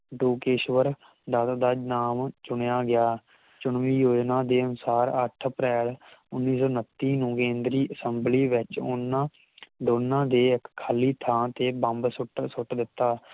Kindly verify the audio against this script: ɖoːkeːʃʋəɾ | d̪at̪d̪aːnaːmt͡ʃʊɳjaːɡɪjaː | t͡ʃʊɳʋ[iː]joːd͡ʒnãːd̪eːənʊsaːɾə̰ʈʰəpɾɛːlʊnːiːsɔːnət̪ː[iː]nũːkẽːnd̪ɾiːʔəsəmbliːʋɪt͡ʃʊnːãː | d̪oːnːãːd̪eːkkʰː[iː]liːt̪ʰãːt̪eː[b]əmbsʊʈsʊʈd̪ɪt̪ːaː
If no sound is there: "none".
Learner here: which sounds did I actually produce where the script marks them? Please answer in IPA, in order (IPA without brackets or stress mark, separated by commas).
iː, iː, aː, b